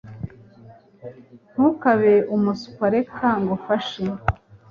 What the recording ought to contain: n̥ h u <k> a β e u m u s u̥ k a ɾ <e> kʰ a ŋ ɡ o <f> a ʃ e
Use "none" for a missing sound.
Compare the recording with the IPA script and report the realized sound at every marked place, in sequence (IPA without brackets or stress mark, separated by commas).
k, e, f